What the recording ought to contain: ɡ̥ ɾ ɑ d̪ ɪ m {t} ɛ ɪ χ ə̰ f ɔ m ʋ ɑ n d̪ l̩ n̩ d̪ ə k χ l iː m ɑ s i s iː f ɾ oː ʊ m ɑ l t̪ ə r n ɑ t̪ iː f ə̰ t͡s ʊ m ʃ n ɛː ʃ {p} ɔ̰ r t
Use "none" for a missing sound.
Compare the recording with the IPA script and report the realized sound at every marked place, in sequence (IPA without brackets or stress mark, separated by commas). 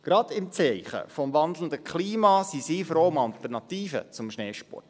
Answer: t͡s, p